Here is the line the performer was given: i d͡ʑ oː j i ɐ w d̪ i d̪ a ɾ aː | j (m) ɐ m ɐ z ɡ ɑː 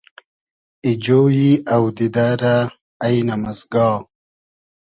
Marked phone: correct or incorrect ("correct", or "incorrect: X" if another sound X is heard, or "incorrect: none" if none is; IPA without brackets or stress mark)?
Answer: incorrect: n